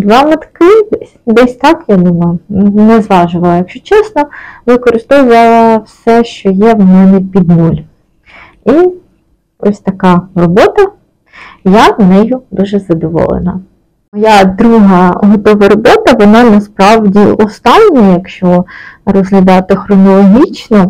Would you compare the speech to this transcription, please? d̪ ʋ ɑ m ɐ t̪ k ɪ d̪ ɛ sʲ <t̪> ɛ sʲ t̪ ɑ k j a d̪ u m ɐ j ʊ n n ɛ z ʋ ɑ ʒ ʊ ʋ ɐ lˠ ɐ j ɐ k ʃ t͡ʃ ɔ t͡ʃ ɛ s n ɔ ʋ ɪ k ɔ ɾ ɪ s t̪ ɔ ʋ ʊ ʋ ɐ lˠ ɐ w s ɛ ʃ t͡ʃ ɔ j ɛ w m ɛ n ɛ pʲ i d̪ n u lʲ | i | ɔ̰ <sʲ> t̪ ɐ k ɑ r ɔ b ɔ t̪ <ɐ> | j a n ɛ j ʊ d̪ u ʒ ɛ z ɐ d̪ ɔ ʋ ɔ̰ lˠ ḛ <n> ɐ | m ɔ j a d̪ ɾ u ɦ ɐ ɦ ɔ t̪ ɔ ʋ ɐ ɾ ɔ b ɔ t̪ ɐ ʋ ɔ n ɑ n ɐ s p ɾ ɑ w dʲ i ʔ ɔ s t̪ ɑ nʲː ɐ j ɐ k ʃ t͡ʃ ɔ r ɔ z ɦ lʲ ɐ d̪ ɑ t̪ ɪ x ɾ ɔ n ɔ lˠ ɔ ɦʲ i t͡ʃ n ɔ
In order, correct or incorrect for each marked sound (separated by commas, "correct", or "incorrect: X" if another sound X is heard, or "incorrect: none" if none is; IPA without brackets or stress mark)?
incorrect: d̪, correct, correct, correct